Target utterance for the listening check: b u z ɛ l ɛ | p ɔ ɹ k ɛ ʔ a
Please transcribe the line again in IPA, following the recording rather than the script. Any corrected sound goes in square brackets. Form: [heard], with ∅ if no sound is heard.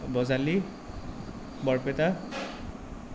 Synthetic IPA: b [ɔ] z [a] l [i] | [b] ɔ ɹ [p] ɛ [t] a